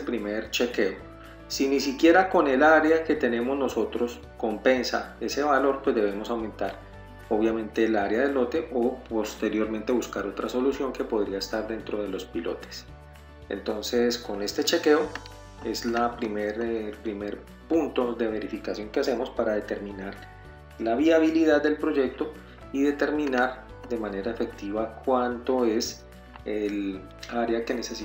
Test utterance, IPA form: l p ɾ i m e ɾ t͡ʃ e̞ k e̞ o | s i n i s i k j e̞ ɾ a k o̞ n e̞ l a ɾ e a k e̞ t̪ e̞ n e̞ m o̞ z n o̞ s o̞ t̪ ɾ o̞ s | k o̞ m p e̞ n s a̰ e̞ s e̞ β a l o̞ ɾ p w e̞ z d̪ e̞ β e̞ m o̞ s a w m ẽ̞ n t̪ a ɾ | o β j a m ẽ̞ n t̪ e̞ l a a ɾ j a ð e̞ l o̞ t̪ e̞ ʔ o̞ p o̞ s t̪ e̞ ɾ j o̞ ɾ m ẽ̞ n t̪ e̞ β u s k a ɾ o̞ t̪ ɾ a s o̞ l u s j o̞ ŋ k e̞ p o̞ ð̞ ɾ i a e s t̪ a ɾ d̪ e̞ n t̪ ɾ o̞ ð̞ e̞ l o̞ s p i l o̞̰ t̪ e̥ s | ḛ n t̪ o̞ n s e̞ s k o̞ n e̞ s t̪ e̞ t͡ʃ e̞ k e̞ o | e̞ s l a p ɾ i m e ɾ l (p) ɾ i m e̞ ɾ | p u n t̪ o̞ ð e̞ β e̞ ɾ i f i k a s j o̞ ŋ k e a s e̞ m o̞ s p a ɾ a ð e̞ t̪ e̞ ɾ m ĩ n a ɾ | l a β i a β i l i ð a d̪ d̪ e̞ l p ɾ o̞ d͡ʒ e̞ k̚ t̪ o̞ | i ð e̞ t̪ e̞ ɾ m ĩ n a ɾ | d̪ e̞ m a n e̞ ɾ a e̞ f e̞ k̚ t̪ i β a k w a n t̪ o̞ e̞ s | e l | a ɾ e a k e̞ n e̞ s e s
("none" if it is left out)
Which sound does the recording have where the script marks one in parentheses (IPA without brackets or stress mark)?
p